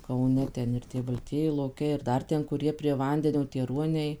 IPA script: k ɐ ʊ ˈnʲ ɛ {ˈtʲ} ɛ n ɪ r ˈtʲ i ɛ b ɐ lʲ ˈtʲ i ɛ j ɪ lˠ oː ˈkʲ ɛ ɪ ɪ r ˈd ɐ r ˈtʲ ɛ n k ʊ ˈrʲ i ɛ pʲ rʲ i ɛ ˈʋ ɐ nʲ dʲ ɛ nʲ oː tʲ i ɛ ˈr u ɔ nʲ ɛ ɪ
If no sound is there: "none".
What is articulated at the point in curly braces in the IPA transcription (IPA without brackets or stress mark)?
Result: tʲ